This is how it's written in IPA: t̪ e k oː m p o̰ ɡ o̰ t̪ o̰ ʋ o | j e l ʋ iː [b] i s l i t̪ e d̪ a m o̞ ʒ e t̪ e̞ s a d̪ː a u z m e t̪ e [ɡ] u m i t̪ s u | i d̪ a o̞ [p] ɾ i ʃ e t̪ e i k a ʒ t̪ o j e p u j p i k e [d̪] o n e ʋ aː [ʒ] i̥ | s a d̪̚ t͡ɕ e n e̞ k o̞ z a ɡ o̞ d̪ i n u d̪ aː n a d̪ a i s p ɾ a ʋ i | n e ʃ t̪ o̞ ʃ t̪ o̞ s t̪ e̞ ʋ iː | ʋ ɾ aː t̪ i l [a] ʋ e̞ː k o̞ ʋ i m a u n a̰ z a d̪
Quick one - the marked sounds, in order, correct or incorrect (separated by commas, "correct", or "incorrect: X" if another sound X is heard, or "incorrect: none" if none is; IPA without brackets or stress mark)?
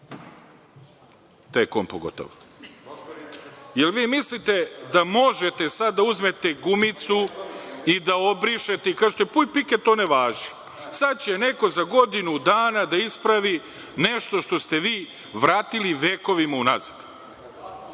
incorrect: m, correct, incorrect: b, incorrect: t̪, correct, incorrect: i